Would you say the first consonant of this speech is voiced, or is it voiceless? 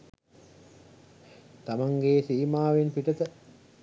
voiceless